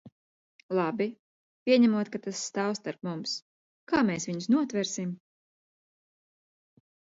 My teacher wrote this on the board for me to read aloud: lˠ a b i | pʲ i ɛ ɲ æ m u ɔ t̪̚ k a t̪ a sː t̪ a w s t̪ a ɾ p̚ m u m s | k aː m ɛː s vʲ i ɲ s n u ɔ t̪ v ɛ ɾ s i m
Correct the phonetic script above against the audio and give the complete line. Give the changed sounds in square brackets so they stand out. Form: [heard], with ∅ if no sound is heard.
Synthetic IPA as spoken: lˠ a b i | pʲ i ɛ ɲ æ m u ɔ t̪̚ k a t̪ a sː t̪ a w s t̪ a ɾ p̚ m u m s | k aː m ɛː s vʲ i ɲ s n u ɔ t̪ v ɛ ɾ s i m